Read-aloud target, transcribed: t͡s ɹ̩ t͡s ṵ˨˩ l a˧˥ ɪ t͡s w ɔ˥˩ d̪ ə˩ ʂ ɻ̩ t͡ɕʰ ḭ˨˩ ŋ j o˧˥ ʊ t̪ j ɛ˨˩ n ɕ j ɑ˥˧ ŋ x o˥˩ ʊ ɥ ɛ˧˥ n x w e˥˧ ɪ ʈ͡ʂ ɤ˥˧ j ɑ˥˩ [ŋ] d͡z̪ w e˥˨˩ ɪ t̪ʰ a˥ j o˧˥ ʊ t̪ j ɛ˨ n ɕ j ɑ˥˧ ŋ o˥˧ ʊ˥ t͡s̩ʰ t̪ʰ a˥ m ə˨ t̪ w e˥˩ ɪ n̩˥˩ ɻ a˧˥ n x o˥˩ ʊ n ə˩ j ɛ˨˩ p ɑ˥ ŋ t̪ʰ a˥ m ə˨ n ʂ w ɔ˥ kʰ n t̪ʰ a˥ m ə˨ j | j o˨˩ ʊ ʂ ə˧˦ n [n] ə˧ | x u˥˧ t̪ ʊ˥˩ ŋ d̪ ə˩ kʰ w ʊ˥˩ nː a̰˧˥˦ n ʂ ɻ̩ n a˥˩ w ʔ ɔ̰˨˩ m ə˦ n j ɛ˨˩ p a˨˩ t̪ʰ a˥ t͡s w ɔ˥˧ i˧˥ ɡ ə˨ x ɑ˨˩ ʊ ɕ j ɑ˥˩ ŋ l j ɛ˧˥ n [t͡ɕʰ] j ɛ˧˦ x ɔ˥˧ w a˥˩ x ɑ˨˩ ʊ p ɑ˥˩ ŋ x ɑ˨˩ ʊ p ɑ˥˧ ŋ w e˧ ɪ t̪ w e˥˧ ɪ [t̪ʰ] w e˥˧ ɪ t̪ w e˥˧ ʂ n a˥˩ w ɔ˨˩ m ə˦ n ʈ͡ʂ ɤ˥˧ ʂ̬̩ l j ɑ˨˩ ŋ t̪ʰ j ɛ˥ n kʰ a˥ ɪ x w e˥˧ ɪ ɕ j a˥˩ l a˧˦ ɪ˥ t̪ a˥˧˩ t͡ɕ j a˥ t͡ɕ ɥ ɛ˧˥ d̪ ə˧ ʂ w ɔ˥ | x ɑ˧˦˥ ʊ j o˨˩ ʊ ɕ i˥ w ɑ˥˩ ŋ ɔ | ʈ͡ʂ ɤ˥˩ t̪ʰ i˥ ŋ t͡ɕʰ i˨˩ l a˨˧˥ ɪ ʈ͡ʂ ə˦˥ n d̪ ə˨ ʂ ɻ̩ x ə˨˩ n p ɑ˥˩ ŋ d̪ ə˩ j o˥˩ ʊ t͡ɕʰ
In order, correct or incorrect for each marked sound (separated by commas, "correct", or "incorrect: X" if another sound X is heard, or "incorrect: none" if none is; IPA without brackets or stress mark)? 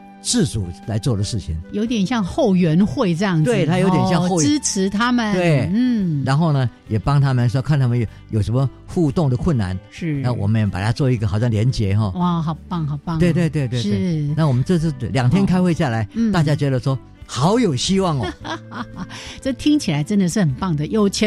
correct, incorrect: m, incorrect: t͡ɕ, incorrect: t̪